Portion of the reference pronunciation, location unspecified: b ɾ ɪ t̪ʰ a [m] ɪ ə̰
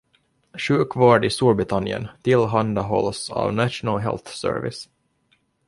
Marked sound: incorrect: n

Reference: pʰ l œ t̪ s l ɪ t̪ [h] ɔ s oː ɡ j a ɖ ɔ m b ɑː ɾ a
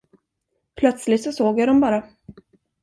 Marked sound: incorrect: s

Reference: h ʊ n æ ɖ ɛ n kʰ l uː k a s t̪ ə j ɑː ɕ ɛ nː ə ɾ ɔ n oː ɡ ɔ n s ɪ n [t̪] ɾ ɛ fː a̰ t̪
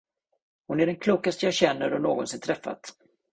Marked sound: incorrect: t̪ʰ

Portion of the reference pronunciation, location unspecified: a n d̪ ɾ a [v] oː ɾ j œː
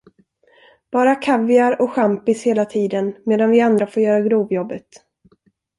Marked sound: incorrect: f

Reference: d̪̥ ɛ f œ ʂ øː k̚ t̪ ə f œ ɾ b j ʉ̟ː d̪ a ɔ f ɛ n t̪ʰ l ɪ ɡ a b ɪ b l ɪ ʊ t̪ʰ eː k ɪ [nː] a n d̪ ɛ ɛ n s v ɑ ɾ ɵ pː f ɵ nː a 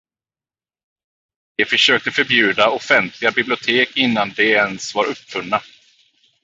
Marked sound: correct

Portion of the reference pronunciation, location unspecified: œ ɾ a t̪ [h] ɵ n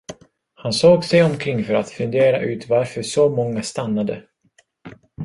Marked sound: incorrect: f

